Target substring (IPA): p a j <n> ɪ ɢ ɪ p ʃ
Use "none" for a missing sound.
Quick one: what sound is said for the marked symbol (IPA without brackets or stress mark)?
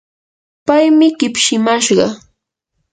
m